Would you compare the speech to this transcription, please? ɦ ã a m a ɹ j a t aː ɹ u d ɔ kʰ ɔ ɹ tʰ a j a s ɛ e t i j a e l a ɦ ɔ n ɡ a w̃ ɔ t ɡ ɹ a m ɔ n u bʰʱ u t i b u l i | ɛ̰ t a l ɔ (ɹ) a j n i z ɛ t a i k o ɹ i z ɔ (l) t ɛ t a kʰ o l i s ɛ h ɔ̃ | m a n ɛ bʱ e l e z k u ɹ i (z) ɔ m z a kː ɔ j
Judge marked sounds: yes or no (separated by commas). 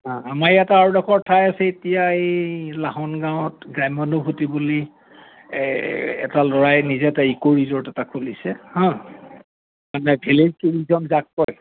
yes, no, yes